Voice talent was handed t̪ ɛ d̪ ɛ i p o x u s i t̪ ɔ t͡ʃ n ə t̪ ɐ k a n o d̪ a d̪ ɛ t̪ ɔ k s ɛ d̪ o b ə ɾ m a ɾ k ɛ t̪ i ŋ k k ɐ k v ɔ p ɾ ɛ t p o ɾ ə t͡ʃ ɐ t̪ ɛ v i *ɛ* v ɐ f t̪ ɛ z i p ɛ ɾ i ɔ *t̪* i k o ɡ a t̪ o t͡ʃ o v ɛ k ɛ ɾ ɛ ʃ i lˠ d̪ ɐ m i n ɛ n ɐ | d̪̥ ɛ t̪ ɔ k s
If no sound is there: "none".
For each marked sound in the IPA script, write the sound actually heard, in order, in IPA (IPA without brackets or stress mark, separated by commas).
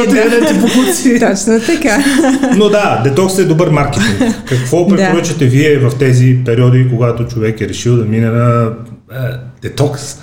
ɛ, d̪